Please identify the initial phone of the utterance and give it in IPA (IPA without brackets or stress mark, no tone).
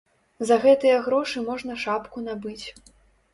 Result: z